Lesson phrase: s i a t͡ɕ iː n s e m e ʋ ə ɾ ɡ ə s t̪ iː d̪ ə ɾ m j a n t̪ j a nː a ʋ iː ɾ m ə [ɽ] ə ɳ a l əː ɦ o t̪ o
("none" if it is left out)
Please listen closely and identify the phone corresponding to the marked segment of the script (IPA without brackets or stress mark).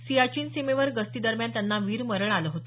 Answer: ɾ